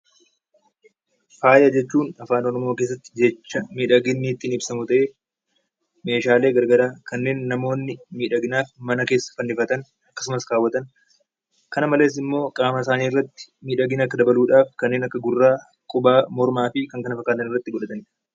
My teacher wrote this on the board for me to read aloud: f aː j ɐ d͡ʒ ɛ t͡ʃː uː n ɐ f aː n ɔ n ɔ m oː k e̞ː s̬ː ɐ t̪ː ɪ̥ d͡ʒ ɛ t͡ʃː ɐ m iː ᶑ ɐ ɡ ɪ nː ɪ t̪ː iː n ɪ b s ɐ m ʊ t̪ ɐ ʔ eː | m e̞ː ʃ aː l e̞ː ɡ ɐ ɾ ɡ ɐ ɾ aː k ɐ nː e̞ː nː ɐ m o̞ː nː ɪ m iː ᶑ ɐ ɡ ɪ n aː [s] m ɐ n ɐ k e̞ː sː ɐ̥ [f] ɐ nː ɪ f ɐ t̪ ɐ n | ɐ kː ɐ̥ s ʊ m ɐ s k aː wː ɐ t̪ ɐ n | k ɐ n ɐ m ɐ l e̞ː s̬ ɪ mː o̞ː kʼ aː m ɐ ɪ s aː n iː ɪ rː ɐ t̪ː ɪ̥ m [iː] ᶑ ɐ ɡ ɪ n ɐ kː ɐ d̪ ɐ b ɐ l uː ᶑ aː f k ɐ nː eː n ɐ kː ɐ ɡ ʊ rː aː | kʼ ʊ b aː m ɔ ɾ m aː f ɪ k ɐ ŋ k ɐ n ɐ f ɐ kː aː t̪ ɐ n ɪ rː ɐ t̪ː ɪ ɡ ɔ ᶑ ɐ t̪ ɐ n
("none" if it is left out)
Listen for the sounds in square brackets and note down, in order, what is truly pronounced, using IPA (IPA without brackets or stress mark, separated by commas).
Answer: f, f, iː